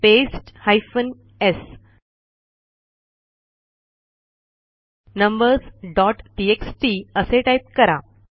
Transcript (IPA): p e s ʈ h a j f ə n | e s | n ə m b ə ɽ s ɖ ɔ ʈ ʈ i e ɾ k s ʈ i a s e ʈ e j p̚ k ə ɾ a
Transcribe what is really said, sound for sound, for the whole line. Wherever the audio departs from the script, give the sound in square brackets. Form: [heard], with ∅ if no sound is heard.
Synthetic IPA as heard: p e s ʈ h a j f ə n | e s | n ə m b ə [ɾ] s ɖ ɔ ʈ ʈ i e [∅] k s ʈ i [ə] s e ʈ [a] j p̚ k ə ɾ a